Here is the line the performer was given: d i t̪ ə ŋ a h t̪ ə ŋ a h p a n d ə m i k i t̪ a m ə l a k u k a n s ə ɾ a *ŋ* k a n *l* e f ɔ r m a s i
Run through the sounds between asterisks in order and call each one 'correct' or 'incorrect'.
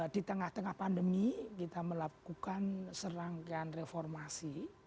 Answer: correct, incorrect: r

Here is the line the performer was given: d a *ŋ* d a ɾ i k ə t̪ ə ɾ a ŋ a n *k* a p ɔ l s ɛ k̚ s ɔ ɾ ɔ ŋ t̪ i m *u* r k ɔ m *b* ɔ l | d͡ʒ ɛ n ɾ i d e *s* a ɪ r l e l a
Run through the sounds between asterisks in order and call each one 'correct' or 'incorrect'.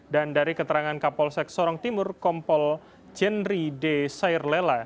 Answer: incorrect: n, correct, incorrect: ʊ, incorrect: p, correct

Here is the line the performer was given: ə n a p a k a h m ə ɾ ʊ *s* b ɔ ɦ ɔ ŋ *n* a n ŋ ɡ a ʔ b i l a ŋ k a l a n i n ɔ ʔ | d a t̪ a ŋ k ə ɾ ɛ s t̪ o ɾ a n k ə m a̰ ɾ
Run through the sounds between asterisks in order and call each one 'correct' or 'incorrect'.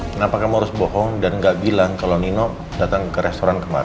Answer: correct, incorrect: d

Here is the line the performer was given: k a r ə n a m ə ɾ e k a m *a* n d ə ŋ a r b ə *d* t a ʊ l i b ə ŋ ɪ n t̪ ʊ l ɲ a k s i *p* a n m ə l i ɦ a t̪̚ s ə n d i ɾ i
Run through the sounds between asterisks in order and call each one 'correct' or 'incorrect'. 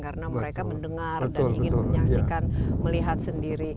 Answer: incorrect: ə, correct, incorrect: k

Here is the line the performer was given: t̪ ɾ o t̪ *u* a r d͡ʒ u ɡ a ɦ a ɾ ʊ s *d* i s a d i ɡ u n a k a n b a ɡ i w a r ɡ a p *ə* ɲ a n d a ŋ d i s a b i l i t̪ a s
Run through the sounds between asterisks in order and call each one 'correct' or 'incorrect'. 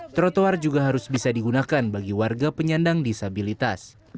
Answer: incorrect: o, incorrect: b, correct

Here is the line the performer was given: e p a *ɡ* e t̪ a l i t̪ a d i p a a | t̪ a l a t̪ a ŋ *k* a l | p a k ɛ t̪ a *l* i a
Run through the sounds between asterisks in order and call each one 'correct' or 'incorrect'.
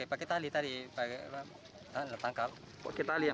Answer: incorrect: k, correct, correct

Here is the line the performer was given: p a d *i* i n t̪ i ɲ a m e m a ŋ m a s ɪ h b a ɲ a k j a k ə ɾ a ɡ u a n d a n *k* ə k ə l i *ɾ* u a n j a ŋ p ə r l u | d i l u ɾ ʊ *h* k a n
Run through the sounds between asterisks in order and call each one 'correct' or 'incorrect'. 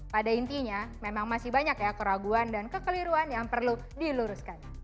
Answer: incorrect: a, correct, correct, incorrect: s

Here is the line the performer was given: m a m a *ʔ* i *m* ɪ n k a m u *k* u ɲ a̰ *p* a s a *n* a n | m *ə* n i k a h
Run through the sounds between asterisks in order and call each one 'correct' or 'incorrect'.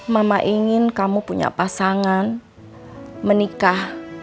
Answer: correct, incorrect: ŋ, incorrect: p, correct, incorrect: ŋ, correct

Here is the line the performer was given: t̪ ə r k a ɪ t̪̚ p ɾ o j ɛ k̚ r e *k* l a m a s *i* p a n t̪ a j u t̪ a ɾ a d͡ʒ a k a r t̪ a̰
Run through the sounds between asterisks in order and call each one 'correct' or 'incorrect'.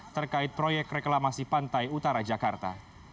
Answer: correct, correct

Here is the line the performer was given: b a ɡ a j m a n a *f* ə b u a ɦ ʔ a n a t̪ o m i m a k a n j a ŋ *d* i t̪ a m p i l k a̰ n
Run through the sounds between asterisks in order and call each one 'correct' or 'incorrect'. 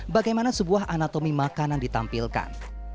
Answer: incorrect: s, correct

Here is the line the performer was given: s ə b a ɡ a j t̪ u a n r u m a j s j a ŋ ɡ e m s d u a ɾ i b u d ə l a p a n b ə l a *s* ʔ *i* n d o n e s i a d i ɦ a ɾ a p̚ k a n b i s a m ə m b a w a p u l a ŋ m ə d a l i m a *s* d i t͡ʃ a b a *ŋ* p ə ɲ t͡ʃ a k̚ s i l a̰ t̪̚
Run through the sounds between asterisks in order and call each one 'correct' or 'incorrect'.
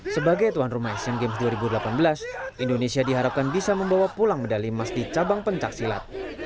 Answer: correct, correct, correct, correct

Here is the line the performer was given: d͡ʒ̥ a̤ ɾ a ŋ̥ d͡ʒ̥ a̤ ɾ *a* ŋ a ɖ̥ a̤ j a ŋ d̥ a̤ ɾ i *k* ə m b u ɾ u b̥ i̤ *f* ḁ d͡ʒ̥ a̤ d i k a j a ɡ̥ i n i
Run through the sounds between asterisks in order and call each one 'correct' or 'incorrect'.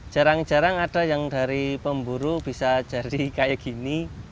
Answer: correct, incorrect: p, incorrect: s

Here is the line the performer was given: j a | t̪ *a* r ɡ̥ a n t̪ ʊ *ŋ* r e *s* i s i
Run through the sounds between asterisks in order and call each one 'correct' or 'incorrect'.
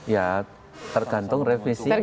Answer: incorrect: ə, correct, incorrect: f

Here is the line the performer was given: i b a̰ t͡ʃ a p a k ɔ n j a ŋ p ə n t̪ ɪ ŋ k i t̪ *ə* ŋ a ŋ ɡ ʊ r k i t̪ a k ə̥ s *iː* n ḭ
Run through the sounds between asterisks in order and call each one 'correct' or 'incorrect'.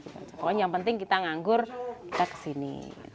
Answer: incorrect: a, incorrect: i

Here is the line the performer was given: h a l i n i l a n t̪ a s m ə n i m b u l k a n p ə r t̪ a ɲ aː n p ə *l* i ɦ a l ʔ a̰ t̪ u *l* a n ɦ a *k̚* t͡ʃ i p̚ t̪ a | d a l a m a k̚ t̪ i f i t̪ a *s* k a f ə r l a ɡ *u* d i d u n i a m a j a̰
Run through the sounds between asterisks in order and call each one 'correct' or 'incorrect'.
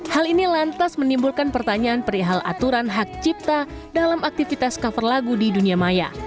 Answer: incorrect: ɾ, incorrect: ɾ, correct, correct, correct

